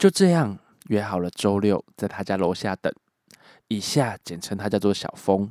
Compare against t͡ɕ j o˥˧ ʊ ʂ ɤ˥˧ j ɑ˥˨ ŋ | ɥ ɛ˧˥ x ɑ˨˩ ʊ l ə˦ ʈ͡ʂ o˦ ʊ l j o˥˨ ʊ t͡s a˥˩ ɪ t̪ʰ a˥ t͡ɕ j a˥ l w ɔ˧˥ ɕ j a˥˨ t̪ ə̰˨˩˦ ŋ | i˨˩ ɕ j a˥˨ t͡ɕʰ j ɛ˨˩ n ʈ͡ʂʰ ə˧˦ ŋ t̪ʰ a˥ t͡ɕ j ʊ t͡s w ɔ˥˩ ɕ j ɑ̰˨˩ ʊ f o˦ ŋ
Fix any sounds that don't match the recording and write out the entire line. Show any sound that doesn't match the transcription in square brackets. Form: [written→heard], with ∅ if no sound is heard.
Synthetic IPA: t͡ɕ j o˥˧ ʊ [ʂ→ʈ͡ʂ] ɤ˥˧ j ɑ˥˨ ŋ | ɥ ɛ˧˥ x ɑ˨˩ ʊ l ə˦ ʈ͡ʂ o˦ ʊ l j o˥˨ ʊ t͡s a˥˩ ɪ t̪ʰ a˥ t͡ɕ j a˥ l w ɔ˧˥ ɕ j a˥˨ t̪ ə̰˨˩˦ ŋ | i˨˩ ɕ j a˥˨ [t͡ɕʰ→t͡ɕ] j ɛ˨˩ n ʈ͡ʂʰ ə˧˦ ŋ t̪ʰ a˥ t͡ɕ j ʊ t͡s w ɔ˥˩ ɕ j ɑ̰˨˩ ʊ f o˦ ŋ